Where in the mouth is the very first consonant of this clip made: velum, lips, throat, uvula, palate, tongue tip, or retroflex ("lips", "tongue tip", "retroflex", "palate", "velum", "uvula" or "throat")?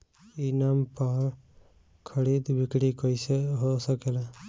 tongue tip